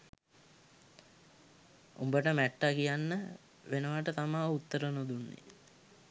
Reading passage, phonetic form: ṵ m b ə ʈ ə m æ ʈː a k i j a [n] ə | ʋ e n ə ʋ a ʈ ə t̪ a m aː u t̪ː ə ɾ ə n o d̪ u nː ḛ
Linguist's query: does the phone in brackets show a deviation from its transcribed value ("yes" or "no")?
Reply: yes